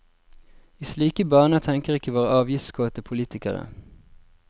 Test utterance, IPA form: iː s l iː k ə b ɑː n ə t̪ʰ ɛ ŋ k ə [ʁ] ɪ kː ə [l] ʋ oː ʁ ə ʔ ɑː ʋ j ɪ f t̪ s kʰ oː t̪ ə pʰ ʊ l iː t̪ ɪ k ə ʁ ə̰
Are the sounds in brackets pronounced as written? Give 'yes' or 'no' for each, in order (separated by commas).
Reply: yes, no